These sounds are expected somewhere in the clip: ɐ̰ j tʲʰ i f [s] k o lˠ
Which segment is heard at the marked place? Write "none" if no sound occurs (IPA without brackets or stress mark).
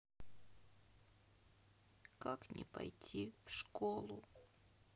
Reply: ʂ